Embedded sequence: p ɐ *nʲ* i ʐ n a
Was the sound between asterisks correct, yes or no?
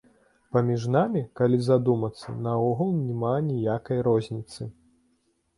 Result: no